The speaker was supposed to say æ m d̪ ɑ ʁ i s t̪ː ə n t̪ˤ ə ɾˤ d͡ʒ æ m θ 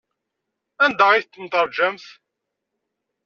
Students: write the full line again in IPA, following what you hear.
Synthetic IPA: æ n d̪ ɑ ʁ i θ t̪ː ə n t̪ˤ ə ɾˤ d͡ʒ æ m θ

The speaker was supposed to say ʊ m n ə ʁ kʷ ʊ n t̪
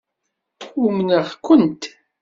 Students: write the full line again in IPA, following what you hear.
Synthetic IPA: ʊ m n ə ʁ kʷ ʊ n t̪

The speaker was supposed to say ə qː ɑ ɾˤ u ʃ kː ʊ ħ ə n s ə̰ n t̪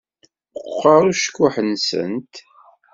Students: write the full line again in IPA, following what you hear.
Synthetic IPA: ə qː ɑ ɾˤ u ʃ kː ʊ ħ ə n s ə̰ n t̪

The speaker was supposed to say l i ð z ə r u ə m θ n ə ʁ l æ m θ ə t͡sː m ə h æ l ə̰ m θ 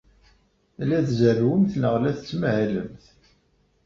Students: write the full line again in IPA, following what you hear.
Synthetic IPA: l æ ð z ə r w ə m θ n ə ʁ l æ θ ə t͡sː m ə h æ l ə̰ m θ

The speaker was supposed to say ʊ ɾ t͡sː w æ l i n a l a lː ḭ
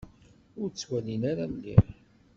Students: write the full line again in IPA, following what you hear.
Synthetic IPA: ʊ ɾ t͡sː w æ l i n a ɾ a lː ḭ

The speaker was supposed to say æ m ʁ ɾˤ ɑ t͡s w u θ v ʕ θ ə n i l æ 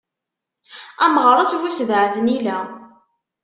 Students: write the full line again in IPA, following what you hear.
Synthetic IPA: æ m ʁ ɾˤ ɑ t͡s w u s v ʕ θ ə n i l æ

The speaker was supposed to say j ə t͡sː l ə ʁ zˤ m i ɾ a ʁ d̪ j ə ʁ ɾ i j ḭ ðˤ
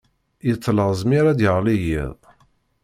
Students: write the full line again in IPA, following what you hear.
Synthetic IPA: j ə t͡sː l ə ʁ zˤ m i ɾ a d̪ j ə ʁ l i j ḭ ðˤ

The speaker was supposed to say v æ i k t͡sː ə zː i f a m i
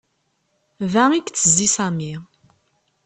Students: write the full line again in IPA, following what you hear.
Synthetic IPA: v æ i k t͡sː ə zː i s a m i

